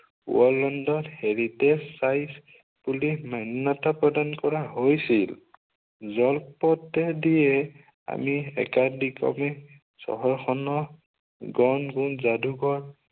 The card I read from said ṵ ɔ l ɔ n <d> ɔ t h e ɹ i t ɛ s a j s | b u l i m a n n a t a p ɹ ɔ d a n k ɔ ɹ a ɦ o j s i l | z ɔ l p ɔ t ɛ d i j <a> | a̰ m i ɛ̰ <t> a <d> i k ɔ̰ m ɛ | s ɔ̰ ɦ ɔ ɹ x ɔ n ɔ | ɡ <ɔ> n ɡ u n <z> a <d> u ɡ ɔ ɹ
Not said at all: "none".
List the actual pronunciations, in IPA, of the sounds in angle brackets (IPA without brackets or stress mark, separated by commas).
d, ɛ, k, d, ɔ, z, d